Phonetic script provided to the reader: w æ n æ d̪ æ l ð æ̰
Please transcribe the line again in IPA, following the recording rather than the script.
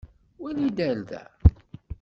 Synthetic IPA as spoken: w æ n i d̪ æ l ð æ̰